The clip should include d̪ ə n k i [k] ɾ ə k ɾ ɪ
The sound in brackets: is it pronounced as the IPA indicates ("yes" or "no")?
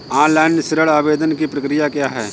no